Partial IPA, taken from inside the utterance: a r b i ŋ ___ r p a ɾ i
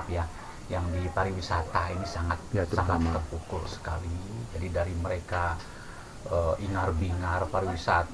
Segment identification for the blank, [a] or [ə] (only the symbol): a